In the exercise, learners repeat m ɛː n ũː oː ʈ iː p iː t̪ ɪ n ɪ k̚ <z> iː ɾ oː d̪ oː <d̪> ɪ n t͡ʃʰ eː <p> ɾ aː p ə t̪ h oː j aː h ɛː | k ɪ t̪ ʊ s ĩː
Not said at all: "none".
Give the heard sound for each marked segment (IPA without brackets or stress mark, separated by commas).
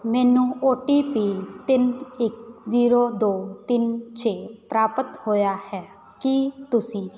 z, t̪, p